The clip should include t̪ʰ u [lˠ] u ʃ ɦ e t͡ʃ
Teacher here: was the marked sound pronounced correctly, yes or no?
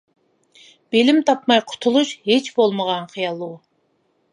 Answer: yes